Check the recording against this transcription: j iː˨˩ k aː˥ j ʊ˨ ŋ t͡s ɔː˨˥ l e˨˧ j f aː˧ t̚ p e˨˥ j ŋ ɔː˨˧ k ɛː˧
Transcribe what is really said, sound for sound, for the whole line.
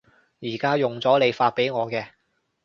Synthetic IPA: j iː˨˩ k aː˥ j ʊ˨ ŋ t͡s ɔː˨˥ l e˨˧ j f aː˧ t̚ p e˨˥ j ŋ ɔː˨˧ k ɛː˧

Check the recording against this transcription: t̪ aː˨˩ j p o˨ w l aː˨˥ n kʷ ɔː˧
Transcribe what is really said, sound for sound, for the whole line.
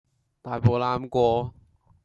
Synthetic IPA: t̪ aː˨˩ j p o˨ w l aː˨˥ m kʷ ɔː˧

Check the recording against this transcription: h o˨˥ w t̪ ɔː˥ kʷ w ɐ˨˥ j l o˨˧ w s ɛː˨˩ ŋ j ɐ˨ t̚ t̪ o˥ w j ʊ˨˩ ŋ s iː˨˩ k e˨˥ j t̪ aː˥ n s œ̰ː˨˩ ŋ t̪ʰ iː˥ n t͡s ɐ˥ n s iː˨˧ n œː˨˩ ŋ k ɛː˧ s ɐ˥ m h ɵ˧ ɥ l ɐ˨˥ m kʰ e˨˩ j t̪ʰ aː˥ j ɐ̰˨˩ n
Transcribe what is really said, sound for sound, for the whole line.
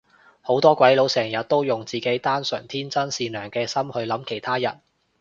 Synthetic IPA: h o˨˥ w t̪ ɔː˥ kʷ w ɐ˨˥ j l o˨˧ w s ɛː˨˩ ŋ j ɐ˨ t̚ t̪ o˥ w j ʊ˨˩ ŋ t͡s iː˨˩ k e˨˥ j t̪ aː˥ n s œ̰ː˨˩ ŋ t̪ʰ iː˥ n t͡s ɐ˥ n s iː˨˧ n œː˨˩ ŋ k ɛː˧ s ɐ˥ m h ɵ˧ ɥ l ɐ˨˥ m kʰ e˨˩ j t̪ʰ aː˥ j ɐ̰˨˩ n

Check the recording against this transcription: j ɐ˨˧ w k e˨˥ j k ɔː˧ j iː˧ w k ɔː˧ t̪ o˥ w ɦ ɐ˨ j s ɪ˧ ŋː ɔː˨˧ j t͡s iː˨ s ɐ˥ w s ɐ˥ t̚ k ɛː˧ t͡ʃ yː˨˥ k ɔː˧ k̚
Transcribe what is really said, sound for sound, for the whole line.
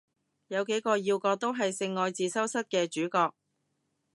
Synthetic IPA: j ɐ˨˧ w k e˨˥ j k ɔː˧ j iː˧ w k ɔː˧ t̪ o˥ w ɦ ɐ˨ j s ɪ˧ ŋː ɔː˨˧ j t͡s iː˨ s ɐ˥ w s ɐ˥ t̚ k ɛː˧ t͡ʃ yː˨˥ k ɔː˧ k̚

